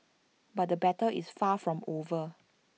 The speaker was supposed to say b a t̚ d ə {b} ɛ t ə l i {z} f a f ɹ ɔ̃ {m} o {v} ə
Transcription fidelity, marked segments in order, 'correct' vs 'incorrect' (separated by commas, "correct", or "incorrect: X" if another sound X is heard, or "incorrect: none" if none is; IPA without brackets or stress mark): correct, incorrect: s, correct, correct